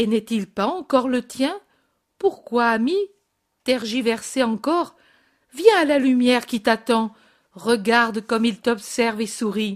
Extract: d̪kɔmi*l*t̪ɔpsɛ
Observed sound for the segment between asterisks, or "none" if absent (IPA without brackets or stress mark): l